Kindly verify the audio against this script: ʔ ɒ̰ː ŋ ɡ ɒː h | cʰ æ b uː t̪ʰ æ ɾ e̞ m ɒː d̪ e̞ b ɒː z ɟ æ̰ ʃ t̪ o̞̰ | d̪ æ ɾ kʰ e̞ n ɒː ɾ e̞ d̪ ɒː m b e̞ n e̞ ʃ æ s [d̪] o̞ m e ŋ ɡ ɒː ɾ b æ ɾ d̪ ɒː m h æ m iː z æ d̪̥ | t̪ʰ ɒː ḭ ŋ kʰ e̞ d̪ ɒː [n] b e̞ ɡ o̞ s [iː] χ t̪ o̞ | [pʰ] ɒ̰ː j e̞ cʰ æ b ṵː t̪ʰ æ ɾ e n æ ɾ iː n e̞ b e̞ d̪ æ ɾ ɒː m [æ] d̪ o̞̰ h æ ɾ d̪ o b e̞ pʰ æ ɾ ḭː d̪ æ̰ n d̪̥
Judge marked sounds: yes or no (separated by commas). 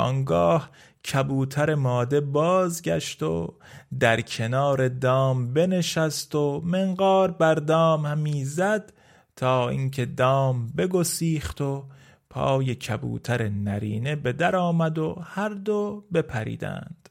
no, no, yes, yes, yes